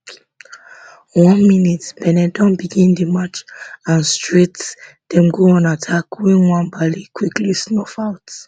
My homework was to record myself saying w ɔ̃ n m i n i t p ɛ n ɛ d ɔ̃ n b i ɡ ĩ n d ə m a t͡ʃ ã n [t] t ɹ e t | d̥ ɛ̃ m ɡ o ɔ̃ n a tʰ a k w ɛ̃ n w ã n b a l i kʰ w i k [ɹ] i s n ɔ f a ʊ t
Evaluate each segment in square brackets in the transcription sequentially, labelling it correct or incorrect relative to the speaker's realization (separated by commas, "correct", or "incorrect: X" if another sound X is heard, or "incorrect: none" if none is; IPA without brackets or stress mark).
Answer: incorrect: s, incorrect: l